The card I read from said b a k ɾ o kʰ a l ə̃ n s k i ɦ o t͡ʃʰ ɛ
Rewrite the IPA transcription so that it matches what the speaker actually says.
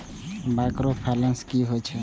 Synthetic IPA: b a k ɾ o pʰ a l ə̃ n s k i ɦ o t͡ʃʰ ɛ